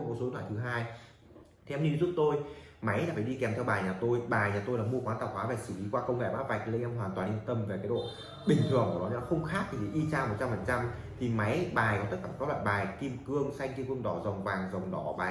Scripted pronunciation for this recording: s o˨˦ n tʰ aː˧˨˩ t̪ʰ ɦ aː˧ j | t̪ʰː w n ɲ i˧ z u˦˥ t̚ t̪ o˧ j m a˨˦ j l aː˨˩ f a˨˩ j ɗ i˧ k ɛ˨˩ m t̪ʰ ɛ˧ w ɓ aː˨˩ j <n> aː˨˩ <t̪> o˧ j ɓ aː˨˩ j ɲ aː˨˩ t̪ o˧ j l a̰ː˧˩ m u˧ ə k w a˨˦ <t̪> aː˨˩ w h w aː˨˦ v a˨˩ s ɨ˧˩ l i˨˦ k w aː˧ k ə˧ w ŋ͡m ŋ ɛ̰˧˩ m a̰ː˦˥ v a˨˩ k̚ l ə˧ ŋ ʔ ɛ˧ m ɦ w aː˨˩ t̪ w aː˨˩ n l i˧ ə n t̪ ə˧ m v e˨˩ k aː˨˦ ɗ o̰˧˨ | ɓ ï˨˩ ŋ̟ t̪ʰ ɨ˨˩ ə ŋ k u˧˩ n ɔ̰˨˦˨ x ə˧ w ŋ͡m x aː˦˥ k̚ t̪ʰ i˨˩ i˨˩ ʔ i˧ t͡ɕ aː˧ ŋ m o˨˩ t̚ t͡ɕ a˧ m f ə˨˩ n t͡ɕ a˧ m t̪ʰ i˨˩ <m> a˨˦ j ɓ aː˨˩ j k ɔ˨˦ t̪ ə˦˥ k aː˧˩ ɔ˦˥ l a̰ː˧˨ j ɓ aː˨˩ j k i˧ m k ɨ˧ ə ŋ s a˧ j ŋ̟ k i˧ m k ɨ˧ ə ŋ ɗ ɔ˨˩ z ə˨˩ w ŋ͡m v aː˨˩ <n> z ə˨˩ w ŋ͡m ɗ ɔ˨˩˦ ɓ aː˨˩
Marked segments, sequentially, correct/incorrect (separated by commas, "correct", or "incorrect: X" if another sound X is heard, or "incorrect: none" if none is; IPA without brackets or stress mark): incorrect: ɲ, correct, correct, correct, incorrect: ŋ